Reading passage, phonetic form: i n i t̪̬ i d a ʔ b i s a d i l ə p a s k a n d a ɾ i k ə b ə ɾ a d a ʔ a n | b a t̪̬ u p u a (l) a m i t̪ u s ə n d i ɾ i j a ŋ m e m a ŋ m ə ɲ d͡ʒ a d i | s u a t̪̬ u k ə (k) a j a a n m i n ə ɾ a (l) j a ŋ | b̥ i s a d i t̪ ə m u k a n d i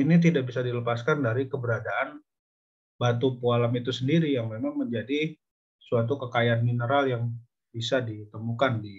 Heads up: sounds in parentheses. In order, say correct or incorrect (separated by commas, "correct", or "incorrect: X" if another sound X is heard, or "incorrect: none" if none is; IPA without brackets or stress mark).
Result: correct, correct, correct